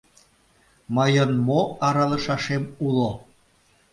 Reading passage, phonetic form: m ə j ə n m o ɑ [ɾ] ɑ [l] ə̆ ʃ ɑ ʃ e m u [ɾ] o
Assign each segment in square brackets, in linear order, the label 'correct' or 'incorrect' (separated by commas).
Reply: correct, correct, incorrect